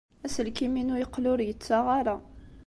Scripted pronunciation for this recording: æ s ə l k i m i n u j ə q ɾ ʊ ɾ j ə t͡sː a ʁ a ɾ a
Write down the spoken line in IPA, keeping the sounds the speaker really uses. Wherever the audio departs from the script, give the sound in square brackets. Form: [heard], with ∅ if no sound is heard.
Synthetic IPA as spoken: æ s ə l k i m i n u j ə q [l] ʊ ɾ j ə t͡sː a ʁ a ɾ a